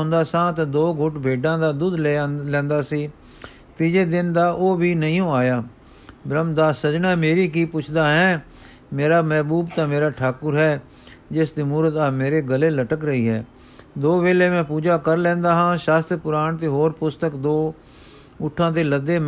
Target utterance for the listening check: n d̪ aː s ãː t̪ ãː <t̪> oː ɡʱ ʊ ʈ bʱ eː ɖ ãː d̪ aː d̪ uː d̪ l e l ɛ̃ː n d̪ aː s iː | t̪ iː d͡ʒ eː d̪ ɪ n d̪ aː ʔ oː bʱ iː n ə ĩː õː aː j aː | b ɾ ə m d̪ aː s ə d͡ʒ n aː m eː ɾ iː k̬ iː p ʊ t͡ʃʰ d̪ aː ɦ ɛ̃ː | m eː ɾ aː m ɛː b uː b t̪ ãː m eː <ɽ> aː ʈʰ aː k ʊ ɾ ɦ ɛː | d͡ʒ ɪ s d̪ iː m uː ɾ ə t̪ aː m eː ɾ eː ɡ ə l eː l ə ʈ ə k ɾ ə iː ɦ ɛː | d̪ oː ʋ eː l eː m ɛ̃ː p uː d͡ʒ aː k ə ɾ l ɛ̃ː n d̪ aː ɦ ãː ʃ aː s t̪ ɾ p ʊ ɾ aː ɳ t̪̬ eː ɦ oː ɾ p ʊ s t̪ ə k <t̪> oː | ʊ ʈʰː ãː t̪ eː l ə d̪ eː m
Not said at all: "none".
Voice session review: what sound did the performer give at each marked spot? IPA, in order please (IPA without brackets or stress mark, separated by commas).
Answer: d̪, ɾ, d̪